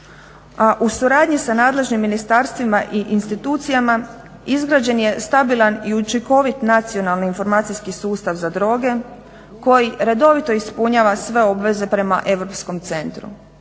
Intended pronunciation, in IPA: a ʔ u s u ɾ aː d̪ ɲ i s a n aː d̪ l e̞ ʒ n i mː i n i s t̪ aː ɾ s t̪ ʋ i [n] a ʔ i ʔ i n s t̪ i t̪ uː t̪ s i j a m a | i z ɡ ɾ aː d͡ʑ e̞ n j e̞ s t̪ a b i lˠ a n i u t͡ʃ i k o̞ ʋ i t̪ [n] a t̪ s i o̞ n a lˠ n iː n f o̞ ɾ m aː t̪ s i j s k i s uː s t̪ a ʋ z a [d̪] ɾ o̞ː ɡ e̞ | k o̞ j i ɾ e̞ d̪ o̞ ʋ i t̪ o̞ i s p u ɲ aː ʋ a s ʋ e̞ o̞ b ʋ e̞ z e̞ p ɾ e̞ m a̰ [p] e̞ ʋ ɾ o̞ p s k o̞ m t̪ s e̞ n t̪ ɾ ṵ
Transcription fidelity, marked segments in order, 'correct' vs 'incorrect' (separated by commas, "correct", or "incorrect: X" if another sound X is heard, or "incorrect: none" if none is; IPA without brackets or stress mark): incorrect: m, correct, correct, incorrect: ʔ